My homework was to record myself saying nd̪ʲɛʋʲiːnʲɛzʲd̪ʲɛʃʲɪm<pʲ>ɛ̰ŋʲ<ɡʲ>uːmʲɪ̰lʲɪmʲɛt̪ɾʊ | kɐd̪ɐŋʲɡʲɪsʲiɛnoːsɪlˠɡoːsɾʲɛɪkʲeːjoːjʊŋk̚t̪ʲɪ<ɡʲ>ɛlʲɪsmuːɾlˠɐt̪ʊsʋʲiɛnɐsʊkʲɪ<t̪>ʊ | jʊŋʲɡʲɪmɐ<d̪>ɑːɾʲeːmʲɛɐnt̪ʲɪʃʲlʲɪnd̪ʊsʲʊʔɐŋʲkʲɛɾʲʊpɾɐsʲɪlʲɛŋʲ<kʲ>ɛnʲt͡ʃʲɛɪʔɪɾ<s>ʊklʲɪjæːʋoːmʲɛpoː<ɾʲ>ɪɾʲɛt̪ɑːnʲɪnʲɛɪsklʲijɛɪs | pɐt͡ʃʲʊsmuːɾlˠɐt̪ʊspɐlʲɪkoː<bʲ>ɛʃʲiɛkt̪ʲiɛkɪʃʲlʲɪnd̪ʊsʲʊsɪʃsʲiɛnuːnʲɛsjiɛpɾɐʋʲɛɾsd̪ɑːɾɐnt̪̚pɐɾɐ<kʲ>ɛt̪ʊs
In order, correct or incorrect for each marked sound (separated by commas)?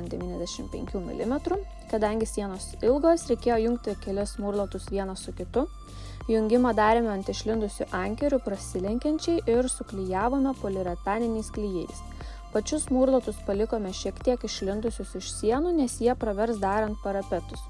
correct, incorrect, incorrect, correct, correct, correct, correct, incorrect, incorrect, incorrect